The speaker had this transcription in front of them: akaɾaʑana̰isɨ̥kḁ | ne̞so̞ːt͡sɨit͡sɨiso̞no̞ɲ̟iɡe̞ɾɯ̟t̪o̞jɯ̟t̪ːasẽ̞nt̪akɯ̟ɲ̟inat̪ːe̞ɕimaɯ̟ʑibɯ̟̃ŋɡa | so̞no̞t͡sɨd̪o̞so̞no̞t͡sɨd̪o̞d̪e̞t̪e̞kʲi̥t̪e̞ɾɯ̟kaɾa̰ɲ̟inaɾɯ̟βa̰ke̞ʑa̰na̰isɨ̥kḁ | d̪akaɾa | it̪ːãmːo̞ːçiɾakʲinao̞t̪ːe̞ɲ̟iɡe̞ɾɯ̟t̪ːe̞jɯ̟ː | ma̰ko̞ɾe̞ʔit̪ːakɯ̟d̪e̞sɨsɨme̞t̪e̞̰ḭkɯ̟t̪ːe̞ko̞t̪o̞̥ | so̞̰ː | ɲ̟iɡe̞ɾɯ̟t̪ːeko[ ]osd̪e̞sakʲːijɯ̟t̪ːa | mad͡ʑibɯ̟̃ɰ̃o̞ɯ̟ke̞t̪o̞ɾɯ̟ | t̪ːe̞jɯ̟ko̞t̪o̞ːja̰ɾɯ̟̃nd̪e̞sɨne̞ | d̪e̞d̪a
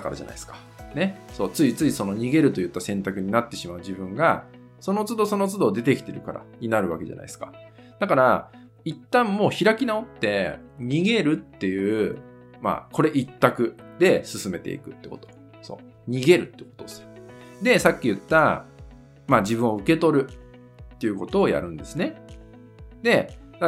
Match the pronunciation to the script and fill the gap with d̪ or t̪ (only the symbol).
t̪